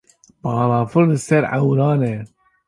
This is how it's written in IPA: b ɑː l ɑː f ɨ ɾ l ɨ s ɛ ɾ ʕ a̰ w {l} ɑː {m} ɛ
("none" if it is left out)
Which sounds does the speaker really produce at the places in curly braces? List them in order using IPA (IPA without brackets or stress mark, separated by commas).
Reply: ɾ, n